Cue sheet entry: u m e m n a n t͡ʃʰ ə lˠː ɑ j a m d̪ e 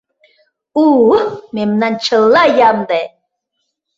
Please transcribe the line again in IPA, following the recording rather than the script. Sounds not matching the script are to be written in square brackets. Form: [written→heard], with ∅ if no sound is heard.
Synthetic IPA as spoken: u m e m n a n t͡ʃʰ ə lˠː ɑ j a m d̪ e